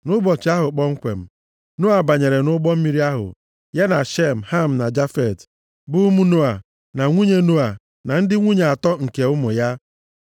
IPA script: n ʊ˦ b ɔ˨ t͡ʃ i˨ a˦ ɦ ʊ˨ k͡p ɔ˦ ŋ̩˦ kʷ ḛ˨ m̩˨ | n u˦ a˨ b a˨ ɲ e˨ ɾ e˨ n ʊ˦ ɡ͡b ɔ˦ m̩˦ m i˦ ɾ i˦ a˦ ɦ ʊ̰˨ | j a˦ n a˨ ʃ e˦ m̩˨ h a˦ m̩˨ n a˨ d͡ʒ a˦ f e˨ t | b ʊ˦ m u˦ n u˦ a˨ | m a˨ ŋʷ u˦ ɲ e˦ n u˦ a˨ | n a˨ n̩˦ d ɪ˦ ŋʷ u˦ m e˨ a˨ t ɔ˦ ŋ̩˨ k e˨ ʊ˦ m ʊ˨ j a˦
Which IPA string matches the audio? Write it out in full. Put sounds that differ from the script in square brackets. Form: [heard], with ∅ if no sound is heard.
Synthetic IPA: n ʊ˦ b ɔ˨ t͡ʃ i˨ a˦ ɦ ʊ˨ k͡p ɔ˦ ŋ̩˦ kʷ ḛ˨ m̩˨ | n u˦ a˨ b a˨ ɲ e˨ ɾ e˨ n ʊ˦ ɡ͡b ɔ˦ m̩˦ m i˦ ɾ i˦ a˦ ɦ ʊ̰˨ | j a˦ n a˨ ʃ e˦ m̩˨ h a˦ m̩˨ n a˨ d͡ʒ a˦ f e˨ t | b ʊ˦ m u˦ n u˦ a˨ | [n] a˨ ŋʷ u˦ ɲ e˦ n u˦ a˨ | n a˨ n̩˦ d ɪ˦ ŋʷ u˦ [ɲ] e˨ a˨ t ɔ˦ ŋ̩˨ k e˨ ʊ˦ m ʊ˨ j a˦

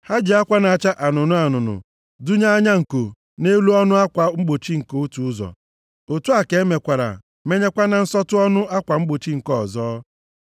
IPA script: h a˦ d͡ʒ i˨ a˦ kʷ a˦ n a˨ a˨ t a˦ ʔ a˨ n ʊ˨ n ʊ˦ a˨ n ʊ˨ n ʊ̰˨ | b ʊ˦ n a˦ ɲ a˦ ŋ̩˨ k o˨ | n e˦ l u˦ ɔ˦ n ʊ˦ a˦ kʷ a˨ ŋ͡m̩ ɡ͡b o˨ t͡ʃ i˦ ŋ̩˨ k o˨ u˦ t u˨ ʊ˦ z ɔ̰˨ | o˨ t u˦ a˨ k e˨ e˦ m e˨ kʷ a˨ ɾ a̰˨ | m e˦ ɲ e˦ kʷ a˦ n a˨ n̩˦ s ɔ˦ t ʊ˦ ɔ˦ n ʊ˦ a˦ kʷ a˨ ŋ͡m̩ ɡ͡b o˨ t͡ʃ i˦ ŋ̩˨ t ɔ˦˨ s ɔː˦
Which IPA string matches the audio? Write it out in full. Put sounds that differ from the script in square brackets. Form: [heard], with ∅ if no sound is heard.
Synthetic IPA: h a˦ d͡ʒ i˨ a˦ kʷ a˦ n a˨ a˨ [t͡ʃ] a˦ ʔ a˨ n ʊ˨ n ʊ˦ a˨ n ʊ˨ n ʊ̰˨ | [d] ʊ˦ [ɲ] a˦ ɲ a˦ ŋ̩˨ k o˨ | n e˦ l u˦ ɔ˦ n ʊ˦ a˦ kʷ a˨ ŋ͡m̩ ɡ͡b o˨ t͡ʃ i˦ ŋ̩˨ k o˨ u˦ t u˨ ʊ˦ z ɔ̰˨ | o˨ t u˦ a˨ k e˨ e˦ m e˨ kʷ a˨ ɾ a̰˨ | m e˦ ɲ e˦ kʷ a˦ n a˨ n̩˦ s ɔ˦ t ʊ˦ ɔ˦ n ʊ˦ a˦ kʷ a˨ ŋ͡m̩ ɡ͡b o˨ t͡ʃ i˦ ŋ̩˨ [k] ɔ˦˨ [z] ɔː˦

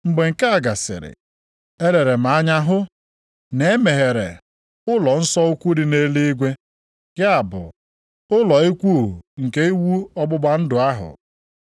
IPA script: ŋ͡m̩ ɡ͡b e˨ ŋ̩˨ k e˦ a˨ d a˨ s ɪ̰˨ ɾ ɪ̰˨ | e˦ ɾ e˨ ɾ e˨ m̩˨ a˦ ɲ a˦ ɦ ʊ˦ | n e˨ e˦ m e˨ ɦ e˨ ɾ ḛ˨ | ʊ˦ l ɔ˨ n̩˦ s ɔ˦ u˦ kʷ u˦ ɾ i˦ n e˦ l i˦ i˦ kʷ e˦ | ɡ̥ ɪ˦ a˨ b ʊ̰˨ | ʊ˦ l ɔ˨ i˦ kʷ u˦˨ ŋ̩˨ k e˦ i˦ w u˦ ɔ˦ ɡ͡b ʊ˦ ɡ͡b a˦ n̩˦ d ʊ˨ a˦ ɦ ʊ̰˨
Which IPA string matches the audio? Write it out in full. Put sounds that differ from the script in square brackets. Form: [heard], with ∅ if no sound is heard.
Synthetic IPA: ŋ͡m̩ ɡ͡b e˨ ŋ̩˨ k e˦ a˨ [ɡ] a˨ s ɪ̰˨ ɾ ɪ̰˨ | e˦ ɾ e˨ ɾ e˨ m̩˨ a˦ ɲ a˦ ɦ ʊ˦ | n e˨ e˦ m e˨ ɦ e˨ ɾ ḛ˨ | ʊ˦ l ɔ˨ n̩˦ s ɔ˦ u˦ kʷ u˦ ɾ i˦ n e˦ l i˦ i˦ [ɡʷ] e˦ | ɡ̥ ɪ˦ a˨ b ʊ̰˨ | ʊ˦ l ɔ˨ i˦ kʷ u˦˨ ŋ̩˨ k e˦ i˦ w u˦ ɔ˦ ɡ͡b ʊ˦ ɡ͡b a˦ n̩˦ d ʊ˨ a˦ ɦ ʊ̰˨

